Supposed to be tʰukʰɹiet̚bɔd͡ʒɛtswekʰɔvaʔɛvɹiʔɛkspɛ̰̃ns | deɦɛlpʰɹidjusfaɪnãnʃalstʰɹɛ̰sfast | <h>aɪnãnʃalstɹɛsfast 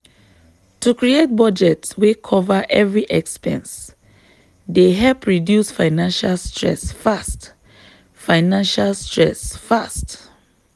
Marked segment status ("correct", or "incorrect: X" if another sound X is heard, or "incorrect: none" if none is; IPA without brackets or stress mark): incorrect: f